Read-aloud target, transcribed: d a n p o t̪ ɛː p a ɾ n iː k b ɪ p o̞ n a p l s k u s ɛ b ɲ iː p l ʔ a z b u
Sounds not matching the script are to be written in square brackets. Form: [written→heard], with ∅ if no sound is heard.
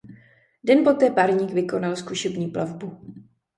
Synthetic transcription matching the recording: d [a→ɛ] n p o t̪ ɛː p a ɾ [n→ɲ] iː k [b→v] ɪ [p→k] o̞ n a [p→∅] l s k u [s→ʃ] ɛ b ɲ iː p l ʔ a [z→v] b u